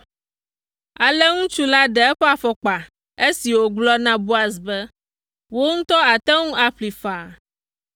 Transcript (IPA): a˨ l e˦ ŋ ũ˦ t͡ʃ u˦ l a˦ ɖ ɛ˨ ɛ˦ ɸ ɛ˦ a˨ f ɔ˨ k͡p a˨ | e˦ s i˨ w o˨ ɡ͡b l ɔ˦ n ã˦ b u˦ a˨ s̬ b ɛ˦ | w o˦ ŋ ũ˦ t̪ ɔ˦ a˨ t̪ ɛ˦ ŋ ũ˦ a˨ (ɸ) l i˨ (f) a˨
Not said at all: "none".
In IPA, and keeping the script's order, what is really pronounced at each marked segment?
ɸ, f

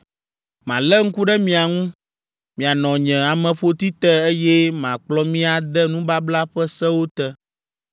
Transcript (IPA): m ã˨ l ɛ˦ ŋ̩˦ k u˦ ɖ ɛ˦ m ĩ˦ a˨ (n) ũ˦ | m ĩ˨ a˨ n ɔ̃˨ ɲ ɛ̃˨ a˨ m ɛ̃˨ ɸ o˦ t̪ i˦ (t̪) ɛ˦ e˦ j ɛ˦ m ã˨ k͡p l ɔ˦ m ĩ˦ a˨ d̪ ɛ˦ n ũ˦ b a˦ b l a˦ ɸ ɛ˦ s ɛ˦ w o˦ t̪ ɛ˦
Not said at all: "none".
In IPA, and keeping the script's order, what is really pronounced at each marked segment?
ŋ, t̪

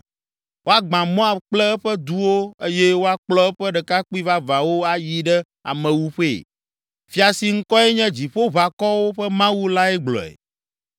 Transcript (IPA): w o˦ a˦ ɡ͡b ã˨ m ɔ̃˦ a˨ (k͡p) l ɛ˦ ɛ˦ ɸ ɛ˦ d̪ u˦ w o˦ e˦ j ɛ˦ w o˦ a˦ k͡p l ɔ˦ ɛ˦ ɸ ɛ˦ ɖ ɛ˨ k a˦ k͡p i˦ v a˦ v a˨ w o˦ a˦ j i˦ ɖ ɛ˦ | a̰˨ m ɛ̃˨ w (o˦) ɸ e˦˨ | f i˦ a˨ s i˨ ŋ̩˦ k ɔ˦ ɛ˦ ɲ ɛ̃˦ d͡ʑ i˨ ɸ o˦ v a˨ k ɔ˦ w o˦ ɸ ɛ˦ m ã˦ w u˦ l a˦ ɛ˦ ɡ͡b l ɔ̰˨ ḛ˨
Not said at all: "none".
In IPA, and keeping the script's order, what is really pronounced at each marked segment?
k͡p, u˦

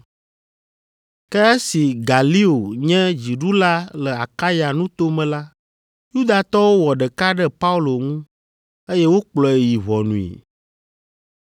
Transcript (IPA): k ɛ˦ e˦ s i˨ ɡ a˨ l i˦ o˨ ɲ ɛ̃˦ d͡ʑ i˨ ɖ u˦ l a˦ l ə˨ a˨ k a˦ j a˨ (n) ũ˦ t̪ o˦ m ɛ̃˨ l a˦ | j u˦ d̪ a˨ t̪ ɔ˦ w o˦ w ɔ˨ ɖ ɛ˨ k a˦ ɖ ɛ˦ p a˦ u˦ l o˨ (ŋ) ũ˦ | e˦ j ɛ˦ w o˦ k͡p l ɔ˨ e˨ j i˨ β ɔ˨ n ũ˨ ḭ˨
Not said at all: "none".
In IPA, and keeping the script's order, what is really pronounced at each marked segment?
n, ŋ

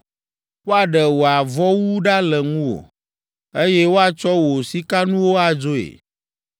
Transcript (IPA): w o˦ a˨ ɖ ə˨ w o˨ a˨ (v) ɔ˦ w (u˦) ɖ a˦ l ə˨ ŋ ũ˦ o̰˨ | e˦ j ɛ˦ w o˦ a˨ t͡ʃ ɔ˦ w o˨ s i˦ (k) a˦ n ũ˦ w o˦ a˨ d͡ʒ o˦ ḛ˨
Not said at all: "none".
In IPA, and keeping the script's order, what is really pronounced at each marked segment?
v, u˦, k

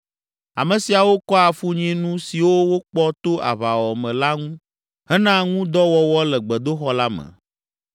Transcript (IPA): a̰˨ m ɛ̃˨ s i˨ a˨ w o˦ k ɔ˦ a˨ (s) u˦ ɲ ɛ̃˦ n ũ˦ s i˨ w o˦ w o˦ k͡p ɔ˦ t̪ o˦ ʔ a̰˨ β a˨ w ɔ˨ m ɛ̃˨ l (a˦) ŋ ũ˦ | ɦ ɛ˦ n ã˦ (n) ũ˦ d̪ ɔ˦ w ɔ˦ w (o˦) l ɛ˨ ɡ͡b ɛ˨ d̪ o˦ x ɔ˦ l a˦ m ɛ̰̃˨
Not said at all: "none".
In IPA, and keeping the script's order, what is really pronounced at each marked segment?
f, a˦, ŋ, ɔ˦

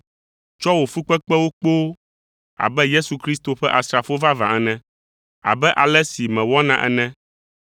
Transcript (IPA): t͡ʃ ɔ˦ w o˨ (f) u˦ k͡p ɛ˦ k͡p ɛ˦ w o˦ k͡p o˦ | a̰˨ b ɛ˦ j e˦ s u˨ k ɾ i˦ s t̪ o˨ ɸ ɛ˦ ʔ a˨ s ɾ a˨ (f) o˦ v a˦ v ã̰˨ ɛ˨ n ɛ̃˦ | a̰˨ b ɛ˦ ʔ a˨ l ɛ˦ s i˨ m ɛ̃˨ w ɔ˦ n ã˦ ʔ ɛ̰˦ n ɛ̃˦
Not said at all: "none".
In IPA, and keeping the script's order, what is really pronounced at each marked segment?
f, f

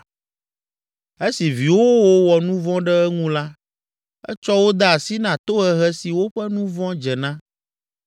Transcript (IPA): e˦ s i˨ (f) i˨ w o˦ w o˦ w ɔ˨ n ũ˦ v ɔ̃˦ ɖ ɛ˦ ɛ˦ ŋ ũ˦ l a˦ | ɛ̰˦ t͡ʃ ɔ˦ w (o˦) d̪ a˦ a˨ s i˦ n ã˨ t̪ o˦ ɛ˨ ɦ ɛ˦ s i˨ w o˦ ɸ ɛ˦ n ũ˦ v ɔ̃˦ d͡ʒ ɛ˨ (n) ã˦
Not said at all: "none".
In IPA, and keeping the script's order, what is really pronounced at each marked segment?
v, o˦, n

